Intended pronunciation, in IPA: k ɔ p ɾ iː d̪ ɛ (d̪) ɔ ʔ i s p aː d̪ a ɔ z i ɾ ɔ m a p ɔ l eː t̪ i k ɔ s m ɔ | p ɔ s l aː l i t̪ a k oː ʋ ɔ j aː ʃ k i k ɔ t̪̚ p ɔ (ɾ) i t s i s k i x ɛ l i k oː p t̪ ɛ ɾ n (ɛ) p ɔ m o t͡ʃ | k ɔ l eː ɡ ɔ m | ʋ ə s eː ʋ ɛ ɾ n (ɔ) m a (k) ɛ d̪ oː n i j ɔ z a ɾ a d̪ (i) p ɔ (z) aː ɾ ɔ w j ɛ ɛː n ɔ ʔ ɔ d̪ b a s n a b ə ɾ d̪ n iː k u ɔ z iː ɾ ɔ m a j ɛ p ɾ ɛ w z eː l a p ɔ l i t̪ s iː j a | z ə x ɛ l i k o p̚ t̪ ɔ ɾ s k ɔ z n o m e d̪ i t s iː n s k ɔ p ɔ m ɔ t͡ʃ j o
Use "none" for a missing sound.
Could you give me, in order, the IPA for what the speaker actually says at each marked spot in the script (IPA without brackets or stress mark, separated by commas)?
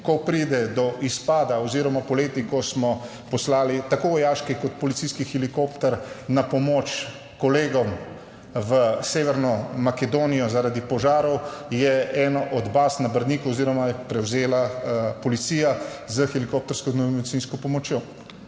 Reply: d̪, l, a, ɔ, k, i, ʒ